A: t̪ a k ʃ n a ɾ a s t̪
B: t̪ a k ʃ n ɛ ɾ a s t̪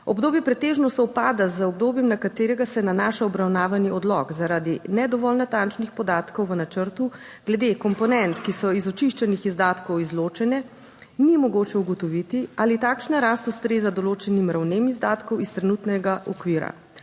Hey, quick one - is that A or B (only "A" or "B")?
A